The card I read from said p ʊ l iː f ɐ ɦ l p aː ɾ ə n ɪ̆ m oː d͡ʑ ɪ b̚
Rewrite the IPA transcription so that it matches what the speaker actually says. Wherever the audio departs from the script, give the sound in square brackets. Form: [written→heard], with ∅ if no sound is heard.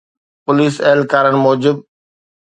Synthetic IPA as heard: p ʊ l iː [f→s] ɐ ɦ l [p→k] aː ɾ ə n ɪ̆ m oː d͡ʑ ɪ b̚

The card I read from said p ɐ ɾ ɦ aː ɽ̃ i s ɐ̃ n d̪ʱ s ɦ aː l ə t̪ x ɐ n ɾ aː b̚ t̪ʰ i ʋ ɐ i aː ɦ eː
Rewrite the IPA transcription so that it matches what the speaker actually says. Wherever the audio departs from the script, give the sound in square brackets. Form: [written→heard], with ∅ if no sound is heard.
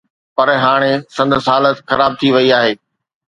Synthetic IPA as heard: p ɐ ɾ ɦ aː ɽ̃ [i→e] s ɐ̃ n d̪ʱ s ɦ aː l ə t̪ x ɐ [n→∅] ɾ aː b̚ t̪ʰ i ʋ ɐ i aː ɦ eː

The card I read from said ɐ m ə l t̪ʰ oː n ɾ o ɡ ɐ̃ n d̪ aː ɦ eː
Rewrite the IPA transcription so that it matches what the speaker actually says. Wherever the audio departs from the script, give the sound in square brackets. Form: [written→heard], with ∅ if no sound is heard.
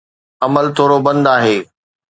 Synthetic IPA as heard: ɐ m ə l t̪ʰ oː [n→∅] ɾ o [ɡ→b] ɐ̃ n d̪ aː ɦ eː

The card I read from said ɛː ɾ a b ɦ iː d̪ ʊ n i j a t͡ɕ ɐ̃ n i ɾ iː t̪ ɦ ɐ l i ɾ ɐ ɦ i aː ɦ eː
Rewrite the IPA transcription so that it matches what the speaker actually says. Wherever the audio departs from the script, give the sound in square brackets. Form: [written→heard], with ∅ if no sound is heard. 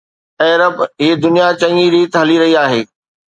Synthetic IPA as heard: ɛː ɾ [a→ə] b ɦ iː d̪ ʊ n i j a t͡ɕ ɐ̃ [n→ŋ] i ɾ iː t̪ ɦ ɐ l i ɾ ɐ ɦ i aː ɦ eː

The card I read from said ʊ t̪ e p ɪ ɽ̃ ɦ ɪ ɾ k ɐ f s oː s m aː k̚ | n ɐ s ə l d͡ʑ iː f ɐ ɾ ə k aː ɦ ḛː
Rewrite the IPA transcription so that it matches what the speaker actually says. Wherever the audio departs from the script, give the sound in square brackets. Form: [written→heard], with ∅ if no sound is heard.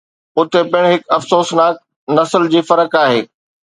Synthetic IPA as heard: ʊ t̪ e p ɪ ɽ̃ ɦ ɪ [ɾ→∅] k ɐ f s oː s [m→n] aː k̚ | n ɐ s ə l d͡ʑ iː f ɐ ɾ ə k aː ɦ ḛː

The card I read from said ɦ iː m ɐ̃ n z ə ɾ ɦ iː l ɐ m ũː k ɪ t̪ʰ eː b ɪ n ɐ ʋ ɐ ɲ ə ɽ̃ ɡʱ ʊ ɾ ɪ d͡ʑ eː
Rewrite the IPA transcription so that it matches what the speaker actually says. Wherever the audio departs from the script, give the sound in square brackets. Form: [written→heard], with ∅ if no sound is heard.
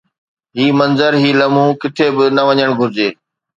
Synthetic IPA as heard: ɦ iː m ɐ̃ n z ə ɾ ɦ iː l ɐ m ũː k ɪ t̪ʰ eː b ɪ n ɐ ʋ ɐ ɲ ə ɽ̃ ɡʱ ʊ ɾ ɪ d͡ʑ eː

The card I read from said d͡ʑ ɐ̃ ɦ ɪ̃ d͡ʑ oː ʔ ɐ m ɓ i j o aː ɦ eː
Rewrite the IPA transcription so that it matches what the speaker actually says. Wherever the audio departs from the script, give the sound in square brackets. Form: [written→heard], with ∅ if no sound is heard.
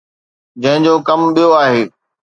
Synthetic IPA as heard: d͡ʑ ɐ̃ ɦ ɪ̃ d͡ʑ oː [ʔ→k] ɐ m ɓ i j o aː ɦ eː

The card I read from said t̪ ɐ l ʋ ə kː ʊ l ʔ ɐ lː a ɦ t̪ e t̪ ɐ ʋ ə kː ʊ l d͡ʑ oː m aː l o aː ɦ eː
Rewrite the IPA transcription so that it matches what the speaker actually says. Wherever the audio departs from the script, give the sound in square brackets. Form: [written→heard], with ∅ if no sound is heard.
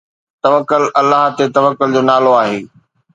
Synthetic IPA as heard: t̪ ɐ [l→∅] ʋ ə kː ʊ l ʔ ɐ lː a ɦ t̪ e t̪ ɐ ʋ ə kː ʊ l d͡ʑ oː [m→n] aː l o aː ɦ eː

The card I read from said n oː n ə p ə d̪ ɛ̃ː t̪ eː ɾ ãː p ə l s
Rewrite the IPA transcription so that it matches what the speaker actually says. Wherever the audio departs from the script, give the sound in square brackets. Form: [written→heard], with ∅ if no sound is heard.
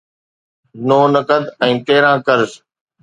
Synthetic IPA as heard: n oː n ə [p→k] ə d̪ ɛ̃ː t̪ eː ɾ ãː [p→k] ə [l→ɾ] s

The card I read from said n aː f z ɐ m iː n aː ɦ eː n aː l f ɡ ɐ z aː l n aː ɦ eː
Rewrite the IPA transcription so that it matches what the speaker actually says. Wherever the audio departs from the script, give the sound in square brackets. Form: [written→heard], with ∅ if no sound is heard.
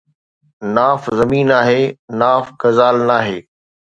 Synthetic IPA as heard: n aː f z ɐ m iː n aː ɦ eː n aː [l→∅] f ɡ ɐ z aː l n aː ɦ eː

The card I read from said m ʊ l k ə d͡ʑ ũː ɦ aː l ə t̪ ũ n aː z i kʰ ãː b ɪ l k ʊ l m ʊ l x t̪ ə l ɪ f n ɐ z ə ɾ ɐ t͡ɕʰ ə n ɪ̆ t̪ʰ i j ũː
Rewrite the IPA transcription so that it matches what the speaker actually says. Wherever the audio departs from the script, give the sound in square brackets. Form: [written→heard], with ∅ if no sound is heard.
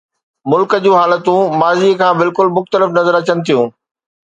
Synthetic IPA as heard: m ʊ l k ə d͡ʑ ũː ɦ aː l ə t̪ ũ [n→m] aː z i kʰ ãː b ɪ l k ʊ l m ʊ [l→∅] x t̪ ə l ɪ f n ɐ z ə ɾ ɐ [t͡ɕʰ→t͡ɕ] ə n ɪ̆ t̪ʰ i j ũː

